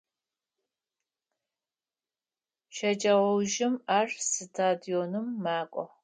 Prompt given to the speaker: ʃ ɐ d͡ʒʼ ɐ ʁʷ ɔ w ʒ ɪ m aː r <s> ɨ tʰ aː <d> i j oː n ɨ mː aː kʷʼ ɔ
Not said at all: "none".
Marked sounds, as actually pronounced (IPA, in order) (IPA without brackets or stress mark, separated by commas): s, d